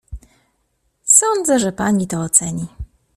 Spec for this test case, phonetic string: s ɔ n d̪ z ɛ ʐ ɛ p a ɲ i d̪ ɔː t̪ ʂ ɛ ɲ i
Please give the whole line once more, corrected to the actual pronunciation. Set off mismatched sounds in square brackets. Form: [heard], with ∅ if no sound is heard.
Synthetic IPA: s ɔ n d̪ z ɛ ʐ ɛ p a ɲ i [t̪] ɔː t̪ [s] ɛ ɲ i